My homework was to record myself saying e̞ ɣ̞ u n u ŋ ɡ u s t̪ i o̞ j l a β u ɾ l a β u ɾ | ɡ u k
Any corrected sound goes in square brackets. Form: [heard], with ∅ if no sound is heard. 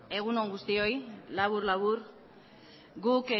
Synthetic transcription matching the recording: e̞ ɣ̞ u n [o] ŋ ɡ u s t̪ i o̞ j l a β u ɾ l a β u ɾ | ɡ u k